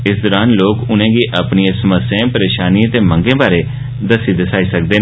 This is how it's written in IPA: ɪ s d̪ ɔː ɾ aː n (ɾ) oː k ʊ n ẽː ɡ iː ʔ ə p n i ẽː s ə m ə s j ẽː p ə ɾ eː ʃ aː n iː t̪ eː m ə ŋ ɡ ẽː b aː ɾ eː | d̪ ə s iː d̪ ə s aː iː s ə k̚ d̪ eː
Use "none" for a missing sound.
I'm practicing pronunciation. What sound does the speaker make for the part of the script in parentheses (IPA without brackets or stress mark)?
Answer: l